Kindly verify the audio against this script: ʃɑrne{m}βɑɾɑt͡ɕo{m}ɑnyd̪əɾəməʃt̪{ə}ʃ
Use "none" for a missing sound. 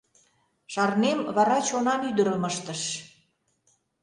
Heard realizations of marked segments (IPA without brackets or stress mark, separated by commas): m, n, ə